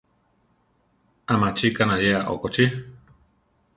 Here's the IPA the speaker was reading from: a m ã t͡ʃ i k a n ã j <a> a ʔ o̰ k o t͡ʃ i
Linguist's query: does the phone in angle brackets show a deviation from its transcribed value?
yes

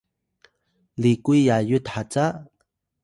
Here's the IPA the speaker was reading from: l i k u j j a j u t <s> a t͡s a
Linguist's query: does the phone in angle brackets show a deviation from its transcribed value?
yes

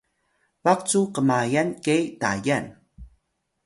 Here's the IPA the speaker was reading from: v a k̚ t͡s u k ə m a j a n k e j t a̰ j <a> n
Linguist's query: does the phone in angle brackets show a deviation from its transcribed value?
no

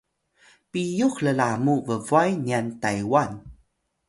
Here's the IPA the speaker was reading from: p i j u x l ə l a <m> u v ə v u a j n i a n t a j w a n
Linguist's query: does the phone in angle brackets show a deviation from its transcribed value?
no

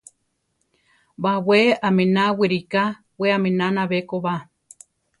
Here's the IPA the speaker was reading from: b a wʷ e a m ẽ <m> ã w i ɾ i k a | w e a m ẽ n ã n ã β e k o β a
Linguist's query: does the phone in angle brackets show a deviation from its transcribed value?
yes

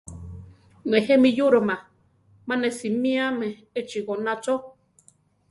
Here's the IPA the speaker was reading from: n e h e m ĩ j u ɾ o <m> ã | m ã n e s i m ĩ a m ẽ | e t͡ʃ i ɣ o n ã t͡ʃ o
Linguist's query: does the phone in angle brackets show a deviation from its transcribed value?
no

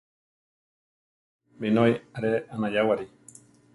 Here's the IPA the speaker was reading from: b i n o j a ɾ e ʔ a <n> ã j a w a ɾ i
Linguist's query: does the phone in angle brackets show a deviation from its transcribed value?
no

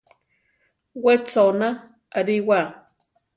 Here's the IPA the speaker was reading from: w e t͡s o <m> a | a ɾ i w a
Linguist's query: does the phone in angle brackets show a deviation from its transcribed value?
yes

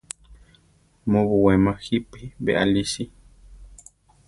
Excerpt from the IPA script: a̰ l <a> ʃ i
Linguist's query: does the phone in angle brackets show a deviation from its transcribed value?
yes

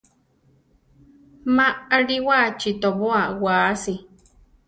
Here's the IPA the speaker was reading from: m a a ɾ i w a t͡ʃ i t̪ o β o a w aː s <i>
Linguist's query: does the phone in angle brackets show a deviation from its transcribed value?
no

